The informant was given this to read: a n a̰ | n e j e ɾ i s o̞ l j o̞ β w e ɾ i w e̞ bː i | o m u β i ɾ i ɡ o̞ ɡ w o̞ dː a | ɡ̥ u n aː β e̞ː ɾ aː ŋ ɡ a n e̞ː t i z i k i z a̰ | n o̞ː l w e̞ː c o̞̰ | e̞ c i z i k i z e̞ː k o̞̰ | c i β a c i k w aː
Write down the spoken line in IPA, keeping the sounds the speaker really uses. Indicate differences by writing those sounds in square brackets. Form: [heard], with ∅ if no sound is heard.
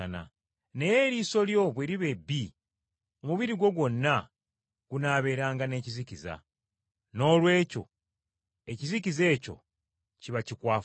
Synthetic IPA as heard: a n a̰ | n e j e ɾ i s o̞ l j o̞ β w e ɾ i [β] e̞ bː i | o m u β i ɾ i ɡ o̞ ɡ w o̞ [nː] a | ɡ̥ u n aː β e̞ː ɾ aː ŋ ɡ a n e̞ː [c] i z i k i z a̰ | n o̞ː l w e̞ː c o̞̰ | e̞ c i z i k i z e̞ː [c] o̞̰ | c i β a c i k w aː